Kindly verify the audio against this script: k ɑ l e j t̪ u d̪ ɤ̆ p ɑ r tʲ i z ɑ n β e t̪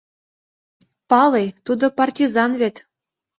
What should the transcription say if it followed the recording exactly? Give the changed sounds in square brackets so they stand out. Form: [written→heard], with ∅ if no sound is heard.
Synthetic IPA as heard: [k→p] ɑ l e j t̪ u d̪ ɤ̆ p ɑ r tʲ i z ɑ n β e t̪